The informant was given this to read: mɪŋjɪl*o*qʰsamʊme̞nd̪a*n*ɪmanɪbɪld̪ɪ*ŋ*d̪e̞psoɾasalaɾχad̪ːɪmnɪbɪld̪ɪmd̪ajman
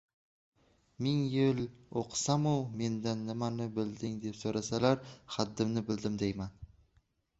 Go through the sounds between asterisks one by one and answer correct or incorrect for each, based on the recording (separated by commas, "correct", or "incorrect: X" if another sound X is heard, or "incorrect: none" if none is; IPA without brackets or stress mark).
correct, incorrect: nː, correct